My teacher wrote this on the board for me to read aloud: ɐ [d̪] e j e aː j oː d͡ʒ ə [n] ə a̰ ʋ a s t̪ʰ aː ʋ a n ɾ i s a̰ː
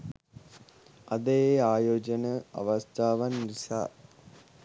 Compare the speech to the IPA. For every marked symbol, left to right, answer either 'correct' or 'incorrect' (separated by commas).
correct, correct